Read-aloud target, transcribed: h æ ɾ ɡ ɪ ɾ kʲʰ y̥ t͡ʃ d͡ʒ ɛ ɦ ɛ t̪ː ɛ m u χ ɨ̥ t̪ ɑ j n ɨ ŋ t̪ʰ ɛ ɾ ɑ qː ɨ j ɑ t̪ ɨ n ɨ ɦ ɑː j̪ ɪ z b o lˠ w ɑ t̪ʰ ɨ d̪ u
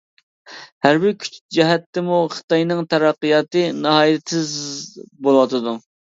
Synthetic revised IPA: h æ ɾ b ɪ ɾ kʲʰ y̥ t͡ʃ d͡ʒ ɛ ɦ ɛ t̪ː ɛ m u χ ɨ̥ t̪ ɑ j n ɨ ŋ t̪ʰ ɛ ɾ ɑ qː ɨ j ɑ t̪ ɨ n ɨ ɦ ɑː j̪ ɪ z b o lˠ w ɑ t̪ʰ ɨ d̪ u